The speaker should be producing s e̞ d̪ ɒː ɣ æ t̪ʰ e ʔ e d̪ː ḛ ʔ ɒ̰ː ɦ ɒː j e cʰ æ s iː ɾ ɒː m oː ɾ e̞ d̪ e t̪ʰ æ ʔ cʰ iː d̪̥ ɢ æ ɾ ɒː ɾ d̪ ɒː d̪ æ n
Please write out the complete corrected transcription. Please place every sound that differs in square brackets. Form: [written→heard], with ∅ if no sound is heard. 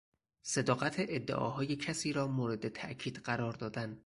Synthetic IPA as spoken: s e̞ d̪ ɒː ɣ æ t̪ʰ e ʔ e d̪ː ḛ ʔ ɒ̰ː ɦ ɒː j e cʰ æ s iː ɾ ɒː m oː ɾ e̞ d̪ e t̪ʰ æ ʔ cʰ iː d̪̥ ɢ æ ɾ ɒː ɾ d̪ ɒː d̪ æ n